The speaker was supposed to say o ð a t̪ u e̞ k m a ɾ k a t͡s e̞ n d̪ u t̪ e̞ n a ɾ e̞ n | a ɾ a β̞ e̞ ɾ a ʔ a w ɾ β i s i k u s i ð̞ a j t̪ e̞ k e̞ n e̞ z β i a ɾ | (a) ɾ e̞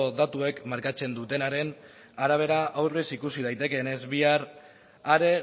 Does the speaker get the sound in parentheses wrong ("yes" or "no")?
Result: no